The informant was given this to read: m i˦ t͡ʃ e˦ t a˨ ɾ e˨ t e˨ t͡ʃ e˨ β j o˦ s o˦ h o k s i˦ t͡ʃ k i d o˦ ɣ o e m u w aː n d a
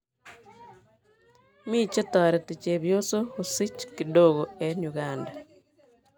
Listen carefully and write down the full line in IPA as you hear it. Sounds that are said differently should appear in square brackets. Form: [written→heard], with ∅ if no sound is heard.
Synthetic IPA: m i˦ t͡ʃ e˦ t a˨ ɾ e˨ t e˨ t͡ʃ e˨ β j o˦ s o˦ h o [k→∅] s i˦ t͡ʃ k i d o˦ ɣ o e [m→ɲ] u [w→ɣ] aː n d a